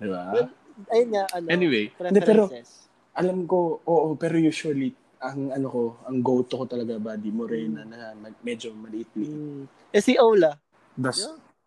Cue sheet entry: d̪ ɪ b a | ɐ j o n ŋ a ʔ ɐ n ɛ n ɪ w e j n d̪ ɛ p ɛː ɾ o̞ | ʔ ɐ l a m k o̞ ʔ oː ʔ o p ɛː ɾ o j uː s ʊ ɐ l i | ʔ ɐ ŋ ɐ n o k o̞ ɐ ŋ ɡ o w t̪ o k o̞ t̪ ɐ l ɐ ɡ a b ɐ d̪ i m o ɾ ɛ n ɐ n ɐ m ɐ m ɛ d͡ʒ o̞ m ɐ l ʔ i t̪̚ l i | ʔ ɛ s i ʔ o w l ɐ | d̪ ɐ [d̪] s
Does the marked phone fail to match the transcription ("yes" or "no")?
yes